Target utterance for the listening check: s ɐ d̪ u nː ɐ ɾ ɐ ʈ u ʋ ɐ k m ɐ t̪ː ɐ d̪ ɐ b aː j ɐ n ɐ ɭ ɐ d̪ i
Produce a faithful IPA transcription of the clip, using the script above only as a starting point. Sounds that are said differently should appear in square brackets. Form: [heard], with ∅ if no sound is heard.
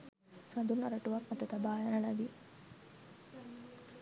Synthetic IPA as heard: s ɐ d̪ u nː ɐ ɾ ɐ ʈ u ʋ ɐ k m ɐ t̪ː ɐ [t̪] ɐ b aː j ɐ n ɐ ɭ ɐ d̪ i